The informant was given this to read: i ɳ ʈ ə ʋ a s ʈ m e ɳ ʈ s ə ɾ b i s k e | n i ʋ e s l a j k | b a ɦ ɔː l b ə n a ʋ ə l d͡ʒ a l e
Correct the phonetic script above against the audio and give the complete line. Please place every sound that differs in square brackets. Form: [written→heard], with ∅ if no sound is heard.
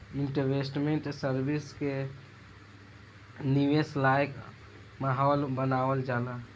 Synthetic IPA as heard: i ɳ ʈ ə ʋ [a→e] s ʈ m e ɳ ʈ s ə ɾ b i s k e | n i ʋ e s l a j k | [b→m] a ɦ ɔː l b ə n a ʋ ə l d͡ʒ a l [e→a]